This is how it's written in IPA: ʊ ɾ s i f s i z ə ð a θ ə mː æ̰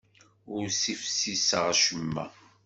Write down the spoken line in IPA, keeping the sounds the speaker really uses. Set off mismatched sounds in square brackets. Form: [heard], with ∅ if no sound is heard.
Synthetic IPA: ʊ ɾ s i f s i [s] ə [ʁ] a [ʃ] ə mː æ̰